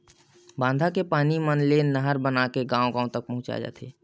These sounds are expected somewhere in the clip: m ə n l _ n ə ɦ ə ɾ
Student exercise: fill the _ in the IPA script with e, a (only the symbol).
e